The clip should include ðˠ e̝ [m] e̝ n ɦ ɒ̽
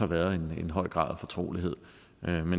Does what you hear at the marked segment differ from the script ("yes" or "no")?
yes